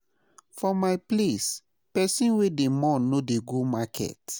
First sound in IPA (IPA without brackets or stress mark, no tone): f